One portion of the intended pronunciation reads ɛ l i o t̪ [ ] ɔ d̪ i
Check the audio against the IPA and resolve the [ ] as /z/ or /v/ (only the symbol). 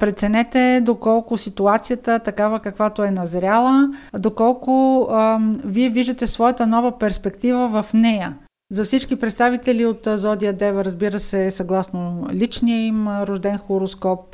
z